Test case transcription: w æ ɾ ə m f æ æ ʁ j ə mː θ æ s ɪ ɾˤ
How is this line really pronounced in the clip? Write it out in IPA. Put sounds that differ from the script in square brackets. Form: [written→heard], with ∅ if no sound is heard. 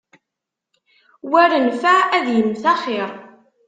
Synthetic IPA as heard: w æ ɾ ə [m→n] f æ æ [ʁ→ð] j ə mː θ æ [s→χ] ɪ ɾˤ

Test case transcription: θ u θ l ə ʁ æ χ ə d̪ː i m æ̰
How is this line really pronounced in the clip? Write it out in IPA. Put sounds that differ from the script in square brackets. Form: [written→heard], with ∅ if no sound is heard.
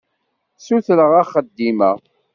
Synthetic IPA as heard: [θ→s] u θ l ə ʁ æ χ ə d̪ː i m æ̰

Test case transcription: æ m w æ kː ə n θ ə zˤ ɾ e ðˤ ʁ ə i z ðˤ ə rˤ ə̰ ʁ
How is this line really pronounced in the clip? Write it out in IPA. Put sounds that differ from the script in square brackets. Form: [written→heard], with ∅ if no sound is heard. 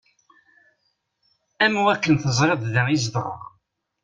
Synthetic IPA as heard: æ m w æ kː ə n θ ə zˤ ɾ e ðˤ [ʁ→ð] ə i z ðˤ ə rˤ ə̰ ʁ

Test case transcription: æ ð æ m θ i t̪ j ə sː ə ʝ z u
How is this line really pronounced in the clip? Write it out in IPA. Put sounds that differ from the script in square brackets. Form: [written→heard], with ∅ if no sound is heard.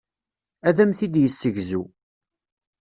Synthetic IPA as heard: æ ð æ m θ i [t̪→d̪] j ə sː ə ʝ z u

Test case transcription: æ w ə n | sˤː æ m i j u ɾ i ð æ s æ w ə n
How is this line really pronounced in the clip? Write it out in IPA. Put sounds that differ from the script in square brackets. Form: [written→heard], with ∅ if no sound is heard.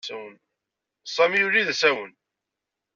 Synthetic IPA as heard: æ w ə n | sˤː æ m i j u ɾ i ð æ s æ w ə n

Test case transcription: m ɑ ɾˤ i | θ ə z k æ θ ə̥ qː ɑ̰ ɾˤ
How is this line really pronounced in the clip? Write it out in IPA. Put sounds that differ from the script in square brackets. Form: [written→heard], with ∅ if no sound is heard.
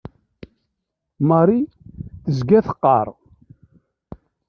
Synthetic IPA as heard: m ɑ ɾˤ i | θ ə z [k→ɡ] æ θ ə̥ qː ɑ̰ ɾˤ

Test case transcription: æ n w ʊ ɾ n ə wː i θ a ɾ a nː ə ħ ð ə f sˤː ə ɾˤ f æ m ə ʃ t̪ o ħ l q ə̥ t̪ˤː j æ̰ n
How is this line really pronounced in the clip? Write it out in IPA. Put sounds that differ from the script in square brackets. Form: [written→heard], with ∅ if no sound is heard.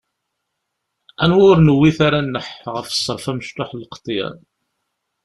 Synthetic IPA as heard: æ n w ʊ ɾ n ə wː i θ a ɾ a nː ə ħ [ð→ʁ] ə f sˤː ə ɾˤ f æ m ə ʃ t̪ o ħ l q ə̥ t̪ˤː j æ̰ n

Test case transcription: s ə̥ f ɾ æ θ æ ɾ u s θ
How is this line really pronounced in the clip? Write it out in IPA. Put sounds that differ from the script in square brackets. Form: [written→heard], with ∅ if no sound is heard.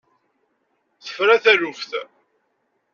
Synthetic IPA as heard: [s→θ] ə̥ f ɾ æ θ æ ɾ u [s→f] θ

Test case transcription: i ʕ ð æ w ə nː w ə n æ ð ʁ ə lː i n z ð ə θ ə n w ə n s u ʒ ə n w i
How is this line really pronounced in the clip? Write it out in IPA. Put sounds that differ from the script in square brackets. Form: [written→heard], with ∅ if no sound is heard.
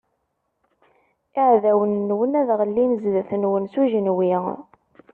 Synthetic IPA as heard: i ʕ ð æ w ə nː w ə n æ ð ʁ ə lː i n z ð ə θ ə n w ə n s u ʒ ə n w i

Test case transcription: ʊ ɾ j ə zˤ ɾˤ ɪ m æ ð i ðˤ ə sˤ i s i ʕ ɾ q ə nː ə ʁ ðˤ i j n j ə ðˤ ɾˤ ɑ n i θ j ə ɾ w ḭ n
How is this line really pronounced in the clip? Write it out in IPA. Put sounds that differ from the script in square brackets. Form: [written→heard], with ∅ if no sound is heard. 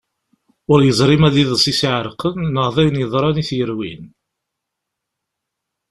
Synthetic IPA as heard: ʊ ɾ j ə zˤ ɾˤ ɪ m æ ð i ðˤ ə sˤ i s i ʕ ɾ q ə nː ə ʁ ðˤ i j n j ə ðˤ ɾˤ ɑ n i θ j ə ɾ w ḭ n

